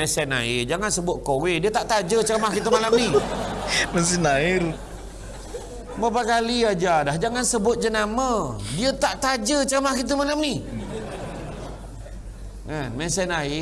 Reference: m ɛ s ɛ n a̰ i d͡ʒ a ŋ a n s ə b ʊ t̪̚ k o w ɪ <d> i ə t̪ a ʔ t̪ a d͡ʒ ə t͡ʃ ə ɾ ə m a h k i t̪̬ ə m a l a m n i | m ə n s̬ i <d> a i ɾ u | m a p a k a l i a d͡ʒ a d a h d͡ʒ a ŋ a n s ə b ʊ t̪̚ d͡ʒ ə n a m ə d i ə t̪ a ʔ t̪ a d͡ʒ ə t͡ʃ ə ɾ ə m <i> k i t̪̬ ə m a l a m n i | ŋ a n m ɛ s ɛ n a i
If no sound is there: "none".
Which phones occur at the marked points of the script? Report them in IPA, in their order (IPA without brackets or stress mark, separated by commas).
d, n, a